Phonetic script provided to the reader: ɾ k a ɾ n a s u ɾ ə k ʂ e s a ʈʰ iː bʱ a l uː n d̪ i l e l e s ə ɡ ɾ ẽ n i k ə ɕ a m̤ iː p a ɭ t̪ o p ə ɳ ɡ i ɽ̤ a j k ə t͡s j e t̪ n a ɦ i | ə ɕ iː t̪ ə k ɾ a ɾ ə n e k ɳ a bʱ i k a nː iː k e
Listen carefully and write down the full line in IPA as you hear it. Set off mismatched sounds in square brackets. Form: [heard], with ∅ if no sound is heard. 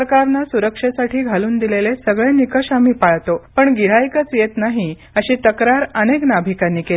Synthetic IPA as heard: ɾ k a ɾ n a s u ɾ ə k ʂ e s a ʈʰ iː [ɡʱ] a l uː n d̪ i l e l e s ə ɡ [ɭ] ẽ n i k ə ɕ a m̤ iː p a ɭ t̪ o p ə ɳ ɡ i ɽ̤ a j k ə t͡s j e t̪ n a ɦ i | ə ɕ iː t̪ ə k ɾ a ɾ ə n e k [n] a bʱ i k a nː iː k e